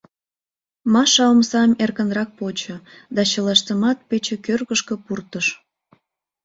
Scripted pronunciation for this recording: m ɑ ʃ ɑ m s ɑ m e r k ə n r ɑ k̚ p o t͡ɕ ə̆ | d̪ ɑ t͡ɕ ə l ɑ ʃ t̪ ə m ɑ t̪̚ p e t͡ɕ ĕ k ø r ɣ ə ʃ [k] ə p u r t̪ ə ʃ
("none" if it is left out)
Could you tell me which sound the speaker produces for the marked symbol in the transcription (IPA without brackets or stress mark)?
k